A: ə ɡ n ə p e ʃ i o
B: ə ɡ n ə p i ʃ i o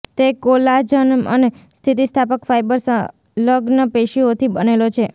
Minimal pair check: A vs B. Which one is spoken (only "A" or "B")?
A